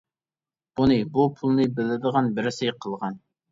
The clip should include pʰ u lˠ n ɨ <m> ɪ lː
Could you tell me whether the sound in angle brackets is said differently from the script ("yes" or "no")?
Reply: yes